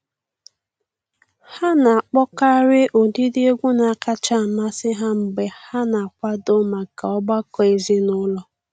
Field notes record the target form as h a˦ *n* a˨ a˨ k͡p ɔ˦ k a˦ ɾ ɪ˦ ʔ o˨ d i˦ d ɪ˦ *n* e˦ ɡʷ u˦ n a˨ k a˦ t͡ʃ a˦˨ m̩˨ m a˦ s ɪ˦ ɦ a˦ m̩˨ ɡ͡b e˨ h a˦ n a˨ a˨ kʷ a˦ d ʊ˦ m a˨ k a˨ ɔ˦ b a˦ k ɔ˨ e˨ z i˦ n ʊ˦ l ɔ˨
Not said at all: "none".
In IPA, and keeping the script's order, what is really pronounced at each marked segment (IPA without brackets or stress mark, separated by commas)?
n, none